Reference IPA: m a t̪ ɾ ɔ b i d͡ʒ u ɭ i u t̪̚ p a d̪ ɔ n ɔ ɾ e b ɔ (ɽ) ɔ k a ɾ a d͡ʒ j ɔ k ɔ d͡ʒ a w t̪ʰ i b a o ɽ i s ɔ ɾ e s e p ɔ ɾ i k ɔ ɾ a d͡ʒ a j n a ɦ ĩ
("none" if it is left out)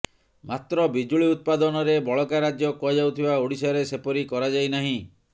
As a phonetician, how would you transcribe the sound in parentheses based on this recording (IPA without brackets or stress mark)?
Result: ɭ